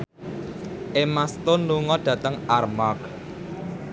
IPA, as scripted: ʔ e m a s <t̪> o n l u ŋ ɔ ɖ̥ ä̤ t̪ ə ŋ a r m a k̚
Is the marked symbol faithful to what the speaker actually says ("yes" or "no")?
yes